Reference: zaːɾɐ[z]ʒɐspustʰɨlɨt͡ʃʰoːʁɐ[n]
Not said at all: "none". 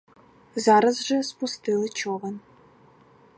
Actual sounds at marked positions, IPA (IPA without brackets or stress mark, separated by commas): z, n